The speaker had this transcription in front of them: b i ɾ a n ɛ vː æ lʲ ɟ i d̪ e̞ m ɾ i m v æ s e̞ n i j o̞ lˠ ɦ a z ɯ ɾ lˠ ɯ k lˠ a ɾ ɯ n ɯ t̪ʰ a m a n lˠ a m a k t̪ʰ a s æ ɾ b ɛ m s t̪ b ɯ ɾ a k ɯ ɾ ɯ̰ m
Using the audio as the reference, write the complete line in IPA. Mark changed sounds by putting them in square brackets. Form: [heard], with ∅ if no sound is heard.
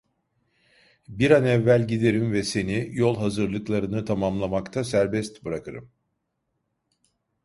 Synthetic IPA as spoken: b i ɾ a n ɛ vː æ lʲ ɟ i d̪ e̞ [∅] ɾ i m v [ɛ] s e̞ n i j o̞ lˠ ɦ a z ɯ ɾ lˠ ɯ k lˠ a ɾ ɯ n ɯ t̪ʰ a m a [m] lˠ a m a k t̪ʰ a s æ ɾ b ɛ [∅] s t̪ b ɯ ɾ a k ɯ ɾ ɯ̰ m